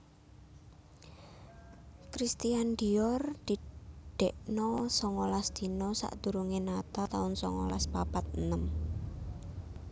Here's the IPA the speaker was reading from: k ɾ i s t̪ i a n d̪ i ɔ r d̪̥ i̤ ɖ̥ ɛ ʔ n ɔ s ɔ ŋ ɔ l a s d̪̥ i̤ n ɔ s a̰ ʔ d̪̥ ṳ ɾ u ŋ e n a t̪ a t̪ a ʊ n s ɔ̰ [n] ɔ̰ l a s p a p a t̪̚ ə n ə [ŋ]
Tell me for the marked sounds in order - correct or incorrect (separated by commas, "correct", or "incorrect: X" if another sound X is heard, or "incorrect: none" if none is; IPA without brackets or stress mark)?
incorrect: ŋ, incorrect: m